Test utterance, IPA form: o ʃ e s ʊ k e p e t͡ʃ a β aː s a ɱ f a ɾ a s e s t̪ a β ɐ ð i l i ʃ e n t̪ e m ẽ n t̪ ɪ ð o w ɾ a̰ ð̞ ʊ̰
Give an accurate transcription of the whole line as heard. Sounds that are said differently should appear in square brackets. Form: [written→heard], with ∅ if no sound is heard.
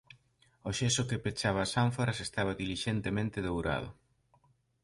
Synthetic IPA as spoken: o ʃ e s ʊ k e p e t͡ʃ a β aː s a ɱ f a ɾ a s e s t̪ a β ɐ ð i l i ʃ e n t̪ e m ẽ n t̪ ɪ ð o w ɾ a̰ ð̞ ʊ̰